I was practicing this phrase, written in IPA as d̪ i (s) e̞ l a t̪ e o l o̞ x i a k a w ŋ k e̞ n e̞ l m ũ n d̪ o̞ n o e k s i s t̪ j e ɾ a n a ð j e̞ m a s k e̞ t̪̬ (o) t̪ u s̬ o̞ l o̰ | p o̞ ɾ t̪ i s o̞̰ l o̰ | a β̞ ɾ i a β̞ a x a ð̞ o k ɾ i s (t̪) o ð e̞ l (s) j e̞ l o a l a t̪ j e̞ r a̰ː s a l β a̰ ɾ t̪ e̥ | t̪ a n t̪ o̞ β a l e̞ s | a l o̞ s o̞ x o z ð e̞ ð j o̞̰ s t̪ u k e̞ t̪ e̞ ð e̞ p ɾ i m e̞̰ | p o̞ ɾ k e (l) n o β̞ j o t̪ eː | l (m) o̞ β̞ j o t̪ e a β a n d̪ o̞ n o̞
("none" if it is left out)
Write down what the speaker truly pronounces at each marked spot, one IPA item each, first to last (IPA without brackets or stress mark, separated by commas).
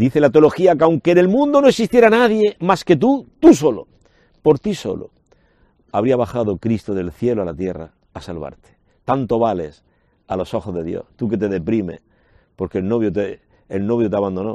θ, u, t̪, θ, l, n